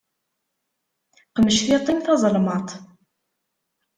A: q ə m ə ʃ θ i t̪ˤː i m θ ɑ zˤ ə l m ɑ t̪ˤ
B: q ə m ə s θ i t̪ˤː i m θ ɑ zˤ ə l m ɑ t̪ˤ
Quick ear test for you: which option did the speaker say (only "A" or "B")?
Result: A